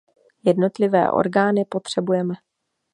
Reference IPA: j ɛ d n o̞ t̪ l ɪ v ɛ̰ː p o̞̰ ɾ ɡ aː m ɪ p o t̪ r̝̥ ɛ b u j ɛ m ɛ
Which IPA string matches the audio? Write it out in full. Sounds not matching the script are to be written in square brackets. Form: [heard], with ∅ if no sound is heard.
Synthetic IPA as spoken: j ɛ d n o̞ t̪ l ɪ v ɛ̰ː [ʔ] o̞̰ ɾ ɡ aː [n] ɪ p o t̪ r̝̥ ɛ b u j ɛ m ɛ